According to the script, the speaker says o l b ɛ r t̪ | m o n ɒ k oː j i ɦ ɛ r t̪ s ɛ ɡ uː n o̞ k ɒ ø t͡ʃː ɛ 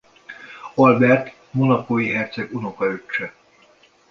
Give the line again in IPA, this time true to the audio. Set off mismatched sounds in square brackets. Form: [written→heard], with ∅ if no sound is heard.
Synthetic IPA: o l b ɛ r t̪ | m o n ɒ k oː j i ɦ ɛ r t̪ s ɛ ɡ [uː→u] n o̞ k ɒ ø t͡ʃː ɛ

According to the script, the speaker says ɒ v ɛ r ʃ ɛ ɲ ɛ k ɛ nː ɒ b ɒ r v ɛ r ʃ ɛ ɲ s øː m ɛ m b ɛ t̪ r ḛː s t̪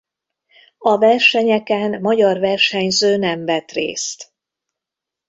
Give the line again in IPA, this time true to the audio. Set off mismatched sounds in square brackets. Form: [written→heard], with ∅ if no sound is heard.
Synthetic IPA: ɒ v ɛ r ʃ ɛ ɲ ɛ k ɛ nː ɒ [b→ɟ] ɒ r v ɛ r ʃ ɛ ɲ [s→z] øː [m→n] ɛ m [b→v] ɛ t̪ r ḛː s t̪

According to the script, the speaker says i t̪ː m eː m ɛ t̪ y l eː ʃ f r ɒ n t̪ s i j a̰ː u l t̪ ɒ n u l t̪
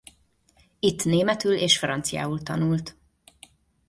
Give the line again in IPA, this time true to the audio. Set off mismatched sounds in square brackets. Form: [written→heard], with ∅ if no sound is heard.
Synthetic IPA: i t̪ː [m→n] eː m ɛ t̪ y l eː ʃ f r ɒ n t̪ s i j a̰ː u l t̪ ɒ n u l t̪

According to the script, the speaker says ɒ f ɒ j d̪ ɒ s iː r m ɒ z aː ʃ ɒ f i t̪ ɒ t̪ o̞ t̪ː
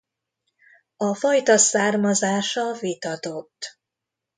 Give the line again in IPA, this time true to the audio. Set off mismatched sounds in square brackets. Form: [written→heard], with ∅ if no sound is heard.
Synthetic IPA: ɒ f ɒ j [d̪→t̪] ɒ s [iː→aː] r m ɒ z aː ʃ ɒ [f→v] i t̪ ɒ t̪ o̞ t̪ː

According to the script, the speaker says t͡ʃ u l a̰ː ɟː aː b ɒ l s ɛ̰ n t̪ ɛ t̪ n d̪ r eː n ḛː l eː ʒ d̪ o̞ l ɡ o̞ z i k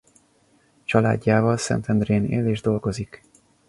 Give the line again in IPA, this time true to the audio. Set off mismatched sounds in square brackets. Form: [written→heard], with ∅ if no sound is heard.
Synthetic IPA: t͡ʃ [u→ɒ] l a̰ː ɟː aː [b→v] ɒ l s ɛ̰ n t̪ ɛ [t̪→∅] n d̪ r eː n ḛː l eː ʒ d̪ o̞ l ɡ o̞ z i k

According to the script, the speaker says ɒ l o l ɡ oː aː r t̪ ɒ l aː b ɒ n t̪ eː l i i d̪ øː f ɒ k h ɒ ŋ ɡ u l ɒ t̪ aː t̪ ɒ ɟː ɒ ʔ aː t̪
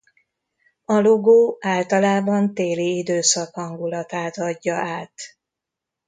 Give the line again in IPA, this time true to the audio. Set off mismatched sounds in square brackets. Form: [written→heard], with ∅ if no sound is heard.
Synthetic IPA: ɒ l o [l→∅] ɡ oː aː [r→l] t̪ ɒ l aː b ɒ n t̪ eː l i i d̪ øː [f→s] ɒ k h ɒ ŋ ɡ u l ɒ t̪ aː t̪ ɒ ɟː ɒ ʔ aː t̪

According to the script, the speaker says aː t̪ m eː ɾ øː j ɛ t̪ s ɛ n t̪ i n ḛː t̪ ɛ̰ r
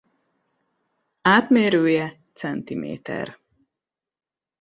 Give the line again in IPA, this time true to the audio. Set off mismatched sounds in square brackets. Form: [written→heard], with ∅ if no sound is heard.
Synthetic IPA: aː t̪ m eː ɾ øː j ɛ t̪ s ɛ n t̪ i [n→m] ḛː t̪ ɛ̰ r

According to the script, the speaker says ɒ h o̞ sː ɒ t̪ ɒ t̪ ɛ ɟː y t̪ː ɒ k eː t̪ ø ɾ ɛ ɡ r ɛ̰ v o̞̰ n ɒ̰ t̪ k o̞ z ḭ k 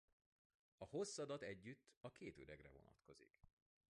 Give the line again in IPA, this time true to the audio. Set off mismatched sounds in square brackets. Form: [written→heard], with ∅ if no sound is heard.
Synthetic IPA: ɒ h o̞ sː ɒ [t̪→d̪] ɒ t̪ ɛ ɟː y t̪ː ɒ k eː t̪ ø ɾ ɛ ɡ r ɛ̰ v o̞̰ n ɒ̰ t̪ k o̞ z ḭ k

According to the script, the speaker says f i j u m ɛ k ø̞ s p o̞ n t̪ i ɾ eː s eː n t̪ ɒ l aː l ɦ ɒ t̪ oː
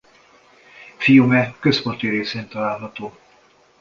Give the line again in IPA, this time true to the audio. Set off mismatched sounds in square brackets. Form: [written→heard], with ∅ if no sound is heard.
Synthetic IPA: f i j u m ɛ k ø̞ s p o̞ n t̪ i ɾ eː s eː n t̪ ɒ l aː l ɦ ɒ t̪ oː

